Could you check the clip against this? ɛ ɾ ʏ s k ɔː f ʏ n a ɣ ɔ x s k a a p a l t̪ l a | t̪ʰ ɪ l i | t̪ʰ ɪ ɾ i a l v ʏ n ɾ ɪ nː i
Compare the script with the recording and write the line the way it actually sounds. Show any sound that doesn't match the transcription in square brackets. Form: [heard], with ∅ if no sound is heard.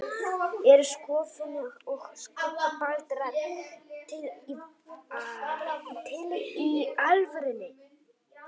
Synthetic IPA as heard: ɛ ɾ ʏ s k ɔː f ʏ n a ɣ ɔ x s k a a p a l t̪ [ɾ] a | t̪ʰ ɪ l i | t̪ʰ ɪ [l] i a l v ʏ [∅] ɾ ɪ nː [ɪ]

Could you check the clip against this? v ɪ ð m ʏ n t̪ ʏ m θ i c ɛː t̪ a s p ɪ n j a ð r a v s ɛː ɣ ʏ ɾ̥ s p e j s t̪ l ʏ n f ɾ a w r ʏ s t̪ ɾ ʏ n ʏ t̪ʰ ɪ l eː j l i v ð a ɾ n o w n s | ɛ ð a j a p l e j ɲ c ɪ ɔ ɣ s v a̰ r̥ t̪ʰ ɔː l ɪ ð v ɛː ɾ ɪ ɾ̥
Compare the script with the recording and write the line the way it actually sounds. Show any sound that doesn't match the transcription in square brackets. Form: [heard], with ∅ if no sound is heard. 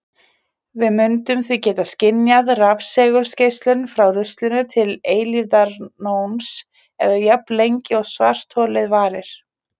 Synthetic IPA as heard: v ɪ ð m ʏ n t̪ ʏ m θ i c ɛː t̪ a s [c] ɪ n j a ð r a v s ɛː ɣ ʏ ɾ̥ s [c] e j s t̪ l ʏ n f ɾ a w r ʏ s t̪ [l] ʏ n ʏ t̪ʰ ɪ l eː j l i v ð a ɾ n o w n s | ɛ ð a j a p l e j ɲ c ɪ ɔ ɣ s v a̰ r̥ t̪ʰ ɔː l ɪ ð v [aː] ɾ ɪ ɾ̥

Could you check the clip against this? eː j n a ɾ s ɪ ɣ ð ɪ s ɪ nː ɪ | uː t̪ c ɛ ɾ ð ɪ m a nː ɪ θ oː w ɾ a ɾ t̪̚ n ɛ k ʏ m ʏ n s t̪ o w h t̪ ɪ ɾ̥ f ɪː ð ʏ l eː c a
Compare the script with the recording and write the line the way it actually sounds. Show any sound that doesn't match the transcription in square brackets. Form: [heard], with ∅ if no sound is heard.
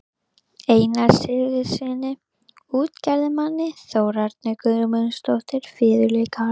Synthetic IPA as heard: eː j n a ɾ s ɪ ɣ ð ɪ s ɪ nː ɪ | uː t̪ c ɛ ɾ ð ɪ m a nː ɪ θ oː w ɾ a ɾ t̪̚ n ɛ k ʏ m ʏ n s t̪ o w h t̪ ɪ ɾ̥ f ɪː ð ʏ l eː [k] a

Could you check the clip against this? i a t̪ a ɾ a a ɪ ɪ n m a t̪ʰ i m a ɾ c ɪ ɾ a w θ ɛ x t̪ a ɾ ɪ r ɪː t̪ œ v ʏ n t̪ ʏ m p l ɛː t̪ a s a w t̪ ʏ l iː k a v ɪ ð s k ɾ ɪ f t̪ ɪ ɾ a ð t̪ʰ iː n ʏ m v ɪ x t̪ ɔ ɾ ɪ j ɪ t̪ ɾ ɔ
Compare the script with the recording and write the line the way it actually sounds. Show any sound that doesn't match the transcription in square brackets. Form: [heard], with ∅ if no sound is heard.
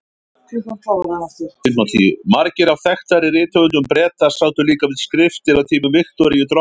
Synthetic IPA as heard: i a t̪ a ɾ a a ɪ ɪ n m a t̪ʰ i m a ɾ c ɪ ɾ a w θ ɛ x t̪ a ɾ ɪ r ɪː t̪ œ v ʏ n t̪ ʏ m p [ɾ] ɛː t̪ a s a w t̪ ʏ l iː k a v ɪ ð s k ɾ ɪ f t̪ ɪ ɾ a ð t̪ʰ iː [m] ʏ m v ɪ x t̪ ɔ ɾ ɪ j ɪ t̪ ɾ ɔ

